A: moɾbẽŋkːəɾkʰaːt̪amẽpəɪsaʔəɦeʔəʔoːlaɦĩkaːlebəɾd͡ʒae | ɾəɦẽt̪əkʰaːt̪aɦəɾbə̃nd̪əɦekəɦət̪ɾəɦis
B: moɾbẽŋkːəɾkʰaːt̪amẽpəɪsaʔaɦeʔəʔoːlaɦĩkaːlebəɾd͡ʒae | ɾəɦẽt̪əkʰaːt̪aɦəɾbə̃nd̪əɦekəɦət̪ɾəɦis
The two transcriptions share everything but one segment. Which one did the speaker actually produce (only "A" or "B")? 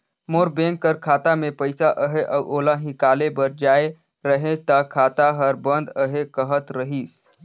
A